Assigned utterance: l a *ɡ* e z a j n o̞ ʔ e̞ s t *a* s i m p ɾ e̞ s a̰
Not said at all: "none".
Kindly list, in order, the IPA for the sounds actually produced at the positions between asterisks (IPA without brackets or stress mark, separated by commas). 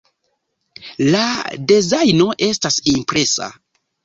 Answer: d, a